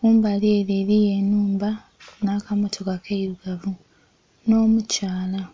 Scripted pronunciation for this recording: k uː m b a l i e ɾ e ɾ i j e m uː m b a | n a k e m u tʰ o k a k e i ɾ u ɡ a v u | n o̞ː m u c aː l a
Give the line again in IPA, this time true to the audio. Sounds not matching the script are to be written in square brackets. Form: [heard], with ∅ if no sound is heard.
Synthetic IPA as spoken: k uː m b a l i e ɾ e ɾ i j e [n] uː m b a | n a k [a] m [o] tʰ o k a k e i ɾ u ɡ a v u | n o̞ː m u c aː l a